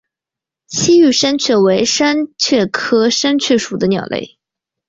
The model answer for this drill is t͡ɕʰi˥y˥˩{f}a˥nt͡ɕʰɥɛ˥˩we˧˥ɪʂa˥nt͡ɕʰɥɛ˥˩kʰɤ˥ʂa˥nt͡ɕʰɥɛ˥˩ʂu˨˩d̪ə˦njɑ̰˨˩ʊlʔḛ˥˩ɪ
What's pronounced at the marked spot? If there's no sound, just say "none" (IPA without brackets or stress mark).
ʂ